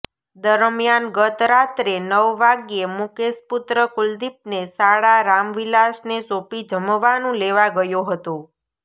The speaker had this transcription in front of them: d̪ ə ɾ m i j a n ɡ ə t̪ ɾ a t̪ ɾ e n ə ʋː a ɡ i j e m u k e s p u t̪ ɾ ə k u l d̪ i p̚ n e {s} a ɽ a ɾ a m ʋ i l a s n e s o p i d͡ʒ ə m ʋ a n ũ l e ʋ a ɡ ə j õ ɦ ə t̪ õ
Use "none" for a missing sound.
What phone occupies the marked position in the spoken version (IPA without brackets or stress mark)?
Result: s